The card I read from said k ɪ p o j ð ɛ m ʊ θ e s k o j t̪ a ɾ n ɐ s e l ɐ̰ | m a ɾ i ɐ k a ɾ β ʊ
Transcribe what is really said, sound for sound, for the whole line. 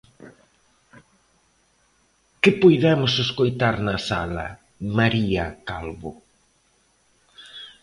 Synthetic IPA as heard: k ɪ p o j ð ɛ m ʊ s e s k o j t̪ a ɾ n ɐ s a l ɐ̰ | m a ɾ i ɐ k a l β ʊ